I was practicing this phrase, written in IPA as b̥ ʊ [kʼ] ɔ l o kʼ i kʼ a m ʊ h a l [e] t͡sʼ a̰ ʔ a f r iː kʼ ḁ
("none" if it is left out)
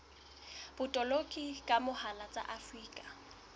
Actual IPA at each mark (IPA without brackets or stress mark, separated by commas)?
tʼ, a